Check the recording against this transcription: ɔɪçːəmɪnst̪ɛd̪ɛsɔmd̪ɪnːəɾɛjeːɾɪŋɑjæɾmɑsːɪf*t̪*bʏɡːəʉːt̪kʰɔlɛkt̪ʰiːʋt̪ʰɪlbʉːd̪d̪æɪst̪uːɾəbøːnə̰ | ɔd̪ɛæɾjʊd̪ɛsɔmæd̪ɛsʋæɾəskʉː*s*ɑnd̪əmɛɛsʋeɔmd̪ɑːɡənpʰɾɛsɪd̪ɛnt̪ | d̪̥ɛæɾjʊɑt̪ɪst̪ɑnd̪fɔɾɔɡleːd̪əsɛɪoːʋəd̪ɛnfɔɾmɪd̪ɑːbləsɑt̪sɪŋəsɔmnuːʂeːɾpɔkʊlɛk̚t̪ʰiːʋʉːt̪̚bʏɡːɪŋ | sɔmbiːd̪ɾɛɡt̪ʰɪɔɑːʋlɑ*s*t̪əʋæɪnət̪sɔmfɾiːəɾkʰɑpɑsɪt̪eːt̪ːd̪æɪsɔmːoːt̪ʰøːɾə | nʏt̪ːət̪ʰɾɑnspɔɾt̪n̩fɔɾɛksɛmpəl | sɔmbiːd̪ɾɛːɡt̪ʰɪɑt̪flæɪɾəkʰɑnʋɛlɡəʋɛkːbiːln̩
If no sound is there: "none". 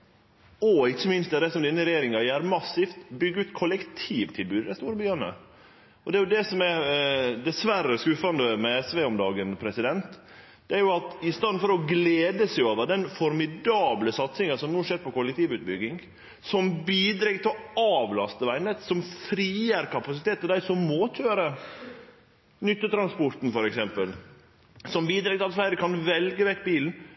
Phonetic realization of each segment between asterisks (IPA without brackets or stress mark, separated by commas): t̪, f, s